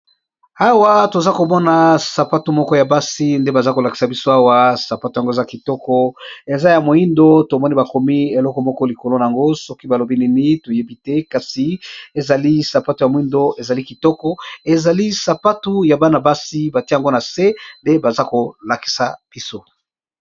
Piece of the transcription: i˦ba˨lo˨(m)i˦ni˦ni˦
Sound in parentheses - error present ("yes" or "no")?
yes